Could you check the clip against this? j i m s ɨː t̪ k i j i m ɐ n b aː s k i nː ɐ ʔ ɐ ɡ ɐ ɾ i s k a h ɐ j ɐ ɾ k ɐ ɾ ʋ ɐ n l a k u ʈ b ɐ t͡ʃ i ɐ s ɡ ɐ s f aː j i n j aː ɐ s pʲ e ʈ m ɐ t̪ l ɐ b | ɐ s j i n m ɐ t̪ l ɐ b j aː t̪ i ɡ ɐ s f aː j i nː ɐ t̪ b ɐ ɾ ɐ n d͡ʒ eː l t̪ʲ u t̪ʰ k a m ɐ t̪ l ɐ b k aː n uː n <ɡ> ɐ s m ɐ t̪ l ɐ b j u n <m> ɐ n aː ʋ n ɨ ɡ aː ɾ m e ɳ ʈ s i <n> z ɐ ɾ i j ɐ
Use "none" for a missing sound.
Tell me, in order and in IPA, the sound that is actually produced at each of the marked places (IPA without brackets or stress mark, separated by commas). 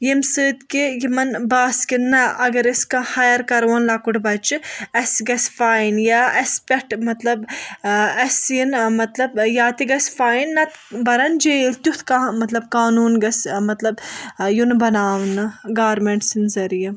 ɡ, b, n